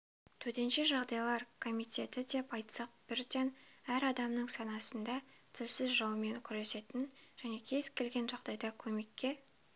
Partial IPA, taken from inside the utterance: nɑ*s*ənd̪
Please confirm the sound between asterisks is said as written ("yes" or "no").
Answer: yes